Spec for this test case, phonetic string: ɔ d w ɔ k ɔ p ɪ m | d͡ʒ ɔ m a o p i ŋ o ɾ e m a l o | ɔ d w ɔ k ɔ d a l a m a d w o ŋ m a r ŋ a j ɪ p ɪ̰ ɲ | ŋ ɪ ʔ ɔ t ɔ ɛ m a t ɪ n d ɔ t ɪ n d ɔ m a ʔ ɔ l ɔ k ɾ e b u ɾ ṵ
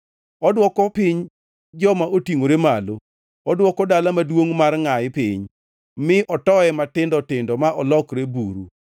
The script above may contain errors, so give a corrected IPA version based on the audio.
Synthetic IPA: ɔ d w ɔ k ɔ p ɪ ɲ | d͡ʒ ɔ m a o t i ŋ o ɾ e m a l o | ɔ d w ɔ k ɔ d a l a m a d w o ŋ m a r ŋ a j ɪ p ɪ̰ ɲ | m ɪ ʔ ɔ t ɔ ɛ m a t ɪ n d ɔ t ɪ n d ɔ m a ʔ ɔ l ɔ k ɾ e b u ɾ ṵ

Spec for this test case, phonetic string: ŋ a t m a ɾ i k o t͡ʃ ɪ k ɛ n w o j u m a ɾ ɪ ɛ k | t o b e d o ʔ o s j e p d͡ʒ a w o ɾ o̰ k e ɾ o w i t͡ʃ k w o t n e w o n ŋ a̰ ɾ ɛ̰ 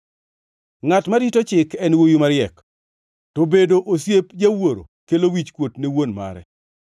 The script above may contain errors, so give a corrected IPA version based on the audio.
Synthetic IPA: ŋ a t m a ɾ i t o t͡ʃ ɪ k ɛ n w o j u m a ɾ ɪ ɛ k | t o b e d o ʔ o s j e p d͡ʒ a w o ɾ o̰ k e l o w i t͡ʃ k w o t n e w o n m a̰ ɾ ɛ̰

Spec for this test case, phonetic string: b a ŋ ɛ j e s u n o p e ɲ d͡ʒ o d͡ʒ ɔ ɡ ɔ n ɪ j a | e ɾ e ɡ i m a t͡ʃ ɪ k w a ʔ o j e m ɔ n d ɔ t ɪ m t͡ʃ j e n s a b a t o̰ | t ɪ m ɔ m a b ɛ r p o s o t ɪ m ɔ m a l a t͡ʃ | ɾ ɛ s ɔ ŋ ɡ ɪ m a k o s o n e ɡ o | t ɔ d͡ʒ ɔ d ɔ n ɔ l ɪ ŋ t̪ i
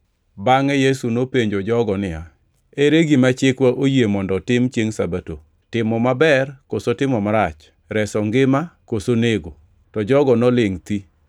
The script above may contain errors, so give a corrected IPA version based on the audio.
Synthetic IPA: b a ŋ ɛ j e s u n o p e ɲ d͡ʒ o d͡ʒ ɔ ɡ ɔ n ɪ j a | e ɾ e ɡ i m a t͡ʃ ɪ k w a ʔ o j e m ɔ n d ɔ t ɪ m t͡ʃ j e ŋ s a b a t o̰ | t ɪ m ɔ m a b ɛ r k o s o t ɪ m ɔ m a ɾ a t͡ʃ | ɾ ɛ s ɔ ŋ ɡ ɪ m a k o s o n e ɡ o | t ɔ d͡ʒ ɔ ɡ ɔ n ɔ l ɪ ŋ t̪ i

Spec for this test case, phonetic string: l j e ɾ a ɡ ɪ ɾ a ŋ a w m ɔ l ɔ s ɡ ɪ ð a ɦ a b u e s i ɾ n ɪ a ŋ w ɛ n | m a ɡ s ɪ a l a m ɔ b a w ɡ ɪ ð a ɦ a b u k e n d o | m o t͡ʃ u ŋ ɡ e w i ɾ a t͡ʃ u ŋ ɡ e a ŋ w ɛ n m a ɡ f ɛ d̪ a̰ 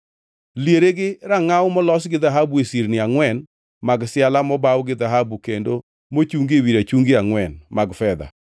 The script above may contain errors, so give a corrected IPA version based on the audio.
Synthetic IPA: l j e ɾ e ɡ ɪ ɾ a ŋ a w m ɔ l ɔ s ɡ ɪ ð a ɦ a b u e s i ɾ n ɪ a ŋ w ɛ n | m a ɡ s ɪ a l a m ɔ b a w ɡ ɪ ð a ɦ a b u k e n d o | m o t͡ʃ u ŋ ɡ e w i ɾ a t͡ʃ u ŋ ɡ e a ŋ w ɛ n m a ɡ f ɛ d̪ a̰

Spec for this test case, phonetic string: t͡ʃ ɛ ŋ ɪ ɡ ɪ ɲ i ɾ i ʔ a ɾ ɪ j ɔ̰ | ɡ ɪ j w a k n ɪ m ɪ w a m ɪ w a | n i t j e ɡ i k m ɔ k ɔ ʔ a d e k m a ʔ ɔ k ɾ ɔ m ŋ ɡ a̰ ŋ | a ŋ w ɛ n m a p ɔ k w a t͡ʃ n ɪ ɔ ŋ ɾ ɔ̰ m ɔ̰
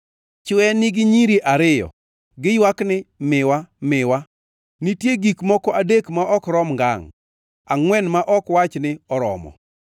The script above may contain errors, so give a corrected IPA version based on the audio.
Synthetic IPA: t͡ʃ ɛ n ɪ ɡ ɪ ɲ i ɾ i ʔ a ɾ ɪ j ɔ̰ | ɡ ɪ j w a k n ɪ m ɪ w a m ɪ w a | n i t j e ɡ i k m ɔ k ɔ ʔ a d e k m a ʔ ɔ k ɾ ɔ m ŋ ɡ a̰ ŋ | a ŋ w ɛ n m a ʔ ɔ k w a t͡ʃ n ɪ ɔ ɾ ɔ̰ m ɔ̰

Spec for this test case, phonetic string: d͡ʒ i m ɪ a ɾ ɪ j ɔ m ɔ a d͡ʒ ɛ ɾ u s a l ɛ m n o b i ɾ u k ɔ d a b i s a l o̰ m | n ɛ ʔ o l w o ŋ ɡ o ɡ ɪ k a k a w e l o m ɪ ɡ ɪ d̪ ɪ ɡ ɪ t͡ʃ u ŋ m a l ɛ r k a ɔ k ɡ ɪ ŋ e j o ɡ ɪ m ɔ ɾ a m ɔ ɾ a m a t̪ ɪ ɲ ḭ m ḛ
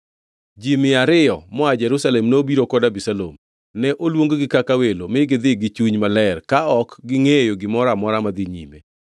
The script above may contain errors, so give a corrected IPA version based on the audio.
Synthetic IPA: d͡ʒ i m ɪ a ɾ ɪ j ɔ m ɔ a d͡ʒ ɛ ɾ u s a l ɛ m n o b i ɾ o k ɔ d a b i s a l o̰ m | n ɛ ʔ o l w o ŋ ɡ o ɡ ɪ k a k a w e l o m ɪ ɡ ɪ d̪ ɪ ɡ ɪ t͡ʃ u ɲ m a l ɛ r k a ɔ k ɡ ɪ ŋ e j o ɡ ɪ m ɔ ɾ a m ɔ ɾ a m a d̪ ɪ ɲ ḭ m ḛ

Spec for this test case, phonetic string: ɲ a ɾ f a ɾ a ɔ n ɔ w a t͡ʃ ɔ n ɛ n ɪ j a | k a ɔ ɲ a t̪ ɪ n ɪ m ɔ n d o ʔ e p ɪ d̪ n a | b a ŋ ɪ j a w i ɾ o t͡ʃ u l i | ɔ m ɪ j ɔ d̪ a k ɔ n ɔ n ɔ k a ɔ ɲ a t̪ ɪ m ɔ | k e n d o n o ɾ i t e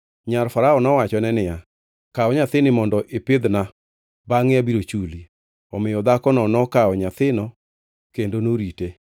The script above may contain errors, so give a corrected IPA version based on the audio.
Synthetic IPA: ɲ a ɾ f a ɾ a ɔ n ɔ w a t͡ʃ ɔ n ɛ n ɪ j a | k a ɔ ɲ a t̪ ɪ n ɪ m ɔ n d ɔ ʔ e p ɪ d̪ n a | b a ŋ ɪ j a b i ɾ o t͡ʃ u l i | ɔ m ɪ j ɔ d̪ a k ɔ n ɔ n ɔ k a ɔ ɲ a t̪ ɪ n ɔ | k e n d o n o ɾ i t e

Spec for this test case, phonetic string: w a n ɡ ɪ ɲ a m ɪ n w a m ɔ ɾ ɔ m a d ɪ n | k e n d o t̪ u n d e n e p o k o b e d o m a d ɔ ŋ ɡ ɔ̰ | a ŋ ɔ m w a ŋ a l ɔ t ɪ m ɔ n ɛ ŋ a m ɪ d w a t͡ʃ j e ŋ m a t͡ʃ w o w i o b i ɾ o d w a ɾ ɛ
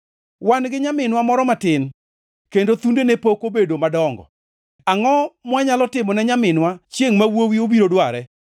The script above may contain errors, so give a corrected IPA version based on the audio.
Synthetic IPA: w a n ɡ ɪ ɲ a m ɪ n w a m ɔ ɾ ɔ m a t ɪ n | k e n d o t̪ u n d e n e p o k o b e d o m a d ɔ ŋ ɡ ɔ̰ | a ŋ ɔ m w a ɲ a l ɔ t ɪ m ɔ n ɛ ɲ a m ɪ n w a t͡ʃ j e ŋ m a w o w i o b i ɾ o d w a ɾ ɛ

